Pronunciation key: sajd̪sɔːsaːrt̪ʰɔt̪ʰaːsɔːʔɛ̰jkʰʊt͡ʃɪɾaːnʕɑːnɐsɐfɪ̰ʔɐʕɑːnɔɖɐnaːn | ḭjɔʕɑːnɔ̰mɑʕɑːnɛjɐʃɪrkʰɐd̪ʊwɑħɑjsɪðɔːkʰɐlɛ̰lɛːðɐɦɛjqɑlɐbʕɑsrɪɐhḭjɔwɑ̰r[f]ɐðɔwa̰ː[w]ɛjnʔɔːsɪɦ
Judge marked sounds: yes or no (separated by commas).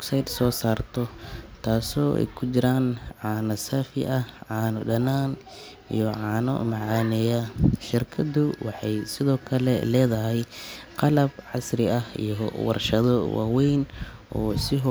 no, yes